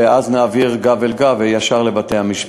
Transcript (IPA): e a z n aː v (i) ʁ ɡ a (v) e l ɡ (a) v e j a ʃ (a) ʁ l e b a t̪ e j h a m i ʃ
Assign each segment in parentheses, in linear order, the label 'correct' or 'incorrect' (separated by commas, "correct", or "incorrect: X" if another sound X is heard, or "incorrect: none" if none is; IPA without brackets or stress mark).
correct, correct, correct, correct